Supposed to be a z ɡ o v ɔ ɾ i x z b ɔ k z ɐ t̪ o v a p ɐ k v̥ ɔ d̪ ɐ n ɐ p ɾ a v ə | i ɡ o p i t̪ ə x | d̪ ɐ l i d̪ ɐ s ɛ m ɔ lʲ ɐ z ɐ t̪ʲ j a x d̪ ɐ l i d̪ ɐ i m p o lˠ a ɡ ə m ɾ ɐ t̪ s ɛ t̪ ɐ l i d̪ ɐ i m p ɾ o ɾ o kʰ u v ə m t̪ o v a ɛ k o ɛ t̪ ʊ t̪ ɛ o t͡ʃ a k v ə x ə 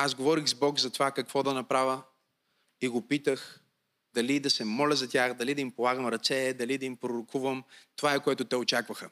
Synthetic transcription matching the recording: a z ɡ o v ɔ ɾ i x z b ɔ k z ɐ t̪ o v a k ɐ k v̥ ɔ d̪ ɐ n ɐ p ɾ a v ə | i ɡ o p i t̪ ə x | d̪ ɐ l i d̪ ɐ s ɛ m ɔ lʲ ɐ z ɐ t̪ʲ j a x d̪ ɐ l i d̪ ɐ i m p o lˠ a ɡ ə m ɾ ɐ t̪ s ɛ d̪ ɐ l i d̪ ɐ i m p ɾ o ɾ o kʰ u v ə m t̪ o v a ɛ k o ɛ t̪ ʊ t̪ ɛ o t͡ʃ a k v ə x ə